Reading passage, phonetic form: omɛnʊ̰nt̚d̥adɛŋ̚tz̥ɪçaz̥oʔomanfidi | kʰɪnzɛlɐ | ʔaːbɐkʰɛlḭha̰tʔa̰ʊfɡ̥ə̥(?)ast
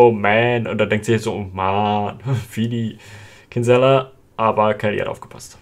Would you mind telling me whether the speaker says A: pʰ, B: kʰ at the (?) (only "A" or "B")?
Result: A